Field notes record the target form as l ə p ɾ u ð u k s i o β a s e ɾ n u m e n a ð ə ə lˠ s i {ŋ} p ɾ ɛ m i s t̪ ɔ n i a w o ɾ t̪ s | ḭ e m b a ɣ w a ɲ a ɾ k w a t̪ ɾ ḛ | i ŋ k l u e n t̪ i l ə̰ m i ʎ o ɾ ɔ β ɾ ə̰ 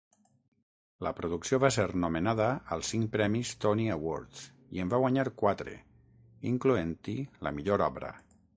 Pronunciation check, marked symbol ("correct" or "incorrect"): correct